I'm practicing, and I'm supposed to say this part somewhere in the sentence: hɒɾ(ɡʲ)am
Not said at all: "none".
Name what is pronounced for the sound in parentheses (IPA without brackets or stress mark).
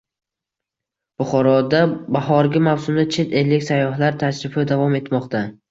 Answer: ɡʲ